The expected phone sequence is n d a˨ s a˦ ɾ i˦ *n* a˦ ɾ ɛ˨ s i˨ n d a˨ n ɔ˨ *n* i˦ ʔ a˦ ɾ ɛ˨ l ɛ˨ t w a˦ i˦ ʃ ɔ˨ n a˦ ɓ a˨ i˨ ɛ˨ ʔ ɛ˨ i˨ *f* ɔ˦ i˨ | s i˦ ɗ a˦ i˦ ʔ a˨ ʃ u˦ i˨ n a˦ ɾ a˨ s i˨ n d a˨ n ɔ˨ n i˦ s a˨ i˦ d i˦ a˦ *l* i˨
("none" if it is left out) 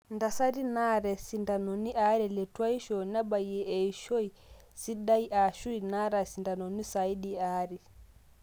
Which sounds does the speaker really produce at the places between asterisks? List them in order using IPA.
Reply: n, n, ʃ, ɾ

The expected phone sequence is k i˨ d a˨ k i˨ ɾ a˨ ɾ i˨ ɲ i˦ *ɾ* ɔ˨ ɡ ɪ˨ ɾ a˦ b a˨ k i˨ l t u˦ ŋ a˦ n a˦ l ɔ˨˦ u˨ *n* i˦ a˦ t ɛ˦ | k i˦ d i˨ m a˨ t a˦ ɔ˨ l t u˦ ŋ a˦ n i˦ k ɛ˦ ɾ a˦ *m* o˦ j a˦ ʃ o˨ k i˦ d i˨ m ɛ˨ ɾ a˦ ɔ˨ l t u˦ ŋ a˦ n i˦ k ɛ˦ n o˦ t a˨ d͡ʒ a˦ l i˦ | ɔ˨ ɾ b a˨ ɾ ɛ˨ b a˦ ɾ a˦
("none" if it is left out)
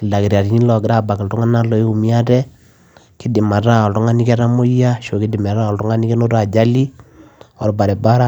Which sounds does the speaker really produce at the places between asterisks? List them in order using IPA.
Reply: l, m, m

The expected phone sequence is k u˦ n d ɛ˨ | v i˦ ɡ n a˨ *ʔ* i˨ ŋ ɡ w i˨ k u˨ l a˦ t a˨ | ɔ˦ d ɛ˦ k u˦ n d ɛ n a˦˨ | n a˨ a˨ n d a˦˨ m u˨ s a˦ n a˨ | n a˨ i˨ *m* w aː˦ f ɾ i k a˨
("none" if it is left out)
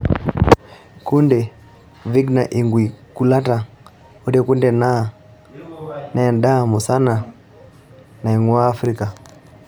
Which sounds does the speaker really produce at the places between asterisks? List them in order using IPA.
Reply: ʔ, ŋ

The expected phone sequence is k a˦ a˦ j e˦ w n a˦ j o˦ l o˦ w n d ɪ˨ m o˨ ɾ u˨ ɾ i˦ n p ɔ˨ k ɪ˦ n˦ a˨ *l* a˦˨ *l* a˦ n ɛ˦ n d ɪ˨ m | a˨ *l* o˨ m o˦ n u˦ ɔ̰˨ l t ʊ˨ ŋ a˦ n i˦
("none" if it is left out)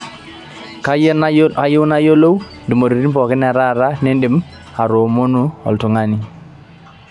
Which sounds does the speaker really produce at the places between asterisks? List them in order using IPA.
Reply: ɾ, ɾ, ɾ

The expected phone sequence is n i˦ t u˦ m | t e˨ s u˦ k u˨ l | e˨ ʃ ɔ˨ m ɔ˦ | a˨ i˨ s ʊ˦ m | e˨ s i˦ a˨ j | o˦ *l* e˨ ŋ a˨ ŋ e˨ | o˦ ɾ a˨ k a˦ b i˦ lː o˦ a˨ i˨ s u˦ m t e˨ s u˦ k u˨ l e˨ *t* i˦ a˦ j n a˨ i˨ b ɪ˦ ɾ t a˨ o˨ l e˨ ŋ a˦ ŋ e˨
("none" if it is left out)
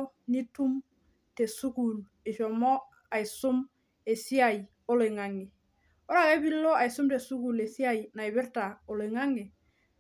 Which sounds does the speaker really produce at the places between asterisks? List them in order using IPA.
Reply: l, s

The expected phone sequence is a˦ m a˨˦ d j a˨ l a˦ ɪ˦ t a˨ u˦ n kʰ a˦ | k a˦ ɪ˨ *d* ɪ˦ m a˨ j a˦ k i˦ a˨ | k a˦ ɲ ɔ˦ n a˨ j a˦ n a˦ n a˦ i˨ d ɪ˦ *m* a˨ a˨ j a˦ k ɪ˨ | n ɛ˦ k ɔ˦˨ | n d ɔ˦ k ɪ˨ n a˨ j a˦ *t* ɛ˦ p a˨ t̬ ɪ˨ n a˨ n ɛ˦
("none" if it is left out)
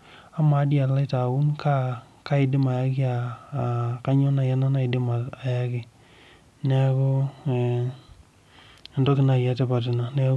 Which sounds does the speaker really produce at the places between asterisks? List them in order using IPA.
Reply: d, m, t

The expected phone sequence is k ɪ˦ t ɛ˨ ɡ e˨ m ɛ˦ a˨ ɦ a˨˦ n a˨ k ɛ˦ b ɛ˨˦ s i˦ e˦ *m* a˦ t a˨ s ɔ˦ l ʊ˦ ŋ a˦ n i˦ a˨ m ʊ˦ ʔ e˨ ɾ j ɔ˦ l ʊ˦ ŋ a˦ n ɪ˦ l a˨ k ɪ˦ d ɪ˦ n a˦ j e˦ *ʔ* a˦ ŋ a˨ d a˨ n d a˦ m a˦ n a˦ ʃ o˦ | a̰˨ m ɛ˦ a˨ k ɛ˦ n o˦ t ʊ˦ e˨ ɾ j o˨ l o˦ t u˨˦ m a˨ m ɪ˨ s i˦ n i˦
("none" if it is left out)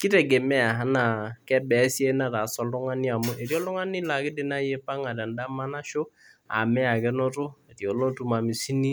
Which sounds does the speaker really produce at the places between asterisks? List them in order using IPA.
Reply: n, p

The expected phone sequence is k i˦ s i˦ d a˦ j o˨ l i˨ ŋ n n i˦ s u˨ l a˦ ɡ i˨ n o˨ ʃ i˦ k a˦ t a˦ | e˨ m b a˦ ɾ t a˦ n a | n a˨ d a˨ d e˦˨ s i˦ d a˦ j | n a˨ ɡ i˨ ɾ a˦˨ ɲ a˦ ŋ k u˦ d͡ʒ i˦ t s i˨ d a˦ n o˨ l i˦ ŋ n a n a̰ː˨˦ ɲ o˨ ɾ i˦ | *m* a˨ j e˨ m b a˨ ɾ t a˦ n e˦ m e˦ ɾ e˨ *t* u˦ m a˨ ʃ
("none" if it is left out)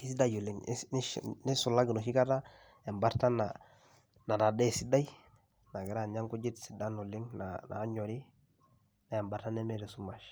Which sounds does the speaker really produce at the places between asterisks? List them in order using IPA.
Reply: n, s

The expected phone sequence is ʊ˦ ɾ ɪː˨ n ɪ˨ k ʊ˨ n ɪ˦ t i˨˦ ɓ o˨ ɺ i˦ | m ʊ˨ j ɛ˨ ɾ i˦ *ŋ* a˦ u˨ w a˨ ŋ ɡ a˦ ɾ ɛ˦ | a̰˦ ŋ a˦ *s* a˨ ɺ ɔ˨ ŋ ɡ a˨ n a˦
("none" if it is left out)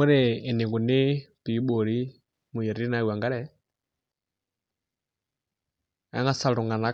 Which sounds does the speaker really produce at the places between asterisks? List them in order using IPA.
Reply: n, s

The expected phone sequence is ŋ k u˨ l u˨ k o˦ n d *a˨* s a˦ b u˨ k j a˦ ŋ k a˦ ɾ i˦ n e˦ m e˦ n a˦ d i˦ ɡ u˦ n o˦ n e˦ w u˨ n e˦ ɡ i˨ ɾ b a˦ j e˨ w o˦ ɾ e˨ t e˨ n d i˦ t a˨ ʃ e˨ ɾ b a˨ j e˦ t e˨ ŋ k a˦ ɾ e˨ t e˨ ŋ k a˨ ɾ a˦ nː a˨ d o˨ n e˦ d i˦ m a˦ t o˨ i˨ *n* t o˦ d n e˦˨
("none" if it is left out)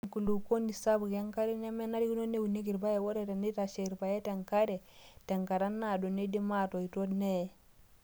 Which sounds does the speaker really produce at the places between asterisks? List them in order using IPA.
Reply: i˨, none

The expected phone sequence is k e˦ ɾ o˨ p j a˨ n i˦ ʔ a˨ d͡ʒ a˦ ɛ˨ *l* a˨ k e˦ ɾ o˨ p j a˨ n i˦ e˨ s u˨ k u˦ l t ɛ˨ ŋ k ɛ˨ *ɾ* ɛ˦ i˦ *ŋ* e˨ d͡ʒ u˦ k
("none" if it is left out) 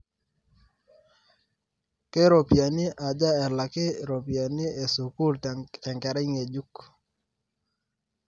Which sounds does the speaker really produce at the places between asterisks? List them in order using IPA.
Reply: l, ɾ, ŋ

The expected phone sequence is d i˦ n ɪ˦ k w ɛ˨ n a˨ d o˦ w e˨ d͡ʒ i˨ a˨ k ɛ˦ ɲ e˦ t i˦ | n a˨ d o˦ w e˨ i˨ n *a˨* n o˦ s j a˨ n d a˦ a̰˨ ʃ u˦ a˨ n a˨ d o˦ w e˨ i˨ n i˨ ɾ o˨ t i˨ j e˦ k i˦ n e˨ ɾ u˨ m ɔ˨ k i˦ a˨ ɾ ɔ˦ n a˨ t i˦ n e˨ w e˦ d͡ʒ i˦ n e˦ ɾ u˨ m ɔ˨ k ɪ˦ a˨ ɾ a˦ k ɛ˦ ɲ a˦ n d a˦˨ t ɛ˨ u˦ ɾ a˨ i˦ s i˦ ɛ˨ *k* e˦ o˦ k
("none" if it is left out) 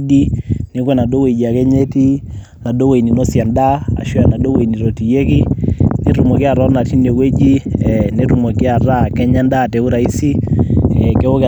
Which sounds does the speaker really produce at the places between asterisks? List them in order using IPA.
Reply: i˨, k

